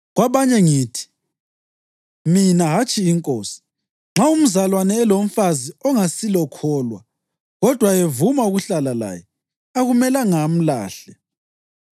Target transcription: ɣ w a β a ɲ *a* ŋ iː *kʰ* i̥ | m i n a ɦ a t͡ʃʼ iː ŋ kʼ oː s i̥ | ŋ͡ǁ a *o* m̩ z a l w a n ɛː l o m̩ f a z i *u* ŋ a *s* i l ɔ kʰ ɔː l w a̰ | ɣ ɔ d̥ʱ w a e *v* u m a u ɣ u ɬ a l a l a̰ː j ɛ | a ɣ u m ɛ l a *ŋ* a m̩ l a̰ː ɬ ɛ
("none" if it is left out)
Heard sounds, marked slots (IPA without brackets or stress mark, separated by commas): ɛ, tʰ, u, ɔ, s, v, ŋ